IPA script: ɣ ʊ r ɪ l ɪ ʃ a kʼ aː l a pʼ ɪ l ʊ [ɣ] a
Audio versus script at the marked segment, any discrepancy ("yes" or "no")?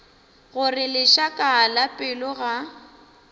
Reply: no